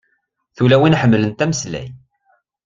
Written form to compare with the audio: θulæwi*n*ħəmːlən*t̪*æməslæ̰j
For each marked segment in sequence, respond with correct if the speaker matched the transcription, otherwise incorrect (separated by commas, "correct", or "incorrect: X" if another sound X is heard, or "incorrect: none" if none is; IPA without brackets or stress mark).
correct, correct